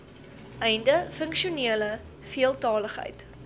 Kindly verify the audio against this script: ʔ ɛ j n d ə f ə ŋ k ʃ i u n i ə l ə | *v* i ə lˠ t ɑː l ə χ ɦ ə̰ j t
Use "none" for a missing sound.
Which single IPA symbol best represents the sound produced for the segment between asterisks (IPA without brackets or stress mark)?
f